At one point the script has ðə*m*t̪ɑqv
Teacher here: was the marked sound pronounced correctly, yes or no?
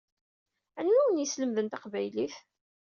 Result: no